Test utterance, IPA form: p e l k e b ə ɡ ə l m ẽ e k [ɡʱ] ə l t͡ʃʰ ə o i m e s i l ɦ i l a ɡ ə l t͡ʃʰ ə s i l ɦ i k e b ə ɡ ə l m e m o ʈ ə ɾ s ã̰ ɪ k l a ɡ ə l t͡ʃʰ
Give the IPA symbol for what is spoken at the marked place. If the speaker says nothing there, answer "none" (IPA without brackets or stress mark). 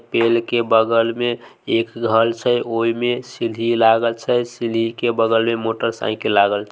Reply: ɡʱ